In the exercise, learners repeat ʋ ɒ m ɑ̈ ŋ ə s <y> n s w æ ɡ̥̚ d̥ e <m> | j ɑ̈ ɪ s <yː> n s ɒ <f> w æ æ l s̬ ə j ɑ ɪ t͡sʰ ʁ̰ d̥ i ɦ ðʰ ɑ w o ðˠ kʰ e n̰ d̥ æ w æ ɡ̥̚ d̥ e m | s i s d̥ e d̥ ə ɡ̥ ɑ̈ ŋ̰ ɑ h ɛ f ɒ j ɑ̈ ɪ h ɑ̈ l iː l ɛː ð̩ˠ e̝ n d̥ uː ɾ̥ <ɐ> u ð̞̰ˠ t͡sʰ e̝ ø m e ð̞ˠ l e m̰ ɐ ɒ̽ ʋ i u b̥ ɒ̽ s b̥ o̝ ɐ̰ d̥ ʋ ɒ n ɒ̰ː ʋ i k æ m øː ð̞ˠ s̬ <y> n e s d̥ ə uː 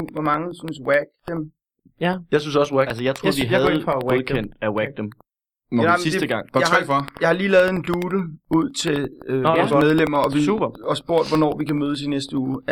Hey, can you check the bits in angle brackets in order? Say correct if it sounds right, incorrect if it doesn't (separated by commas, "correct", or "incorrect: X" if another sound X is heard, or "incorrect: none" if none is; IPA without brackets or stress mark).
correct, correct, incorrect: y, incorrect: s, incorrect: ə, incorrect: i